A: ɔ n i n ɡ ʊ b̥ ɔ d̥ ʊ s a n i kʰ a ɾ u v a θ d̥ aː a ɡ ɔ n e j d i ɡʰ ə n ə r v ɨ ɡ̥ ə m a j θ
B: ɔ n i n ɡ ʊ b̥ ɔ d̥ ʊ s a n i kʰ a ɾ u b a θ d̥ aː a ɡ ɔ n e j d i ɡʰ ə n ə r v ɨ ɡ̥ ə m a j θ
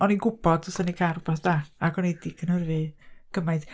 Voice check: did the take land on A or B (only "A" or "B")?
B